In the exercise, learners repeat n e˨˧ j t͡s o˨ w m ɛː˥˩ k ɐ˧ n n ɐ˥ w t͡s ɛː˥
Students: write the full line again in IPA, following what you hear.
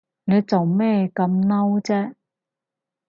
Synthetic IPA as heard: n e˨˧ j t͡s o˨ w m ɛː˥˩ k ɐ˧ m n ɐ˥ w t͡s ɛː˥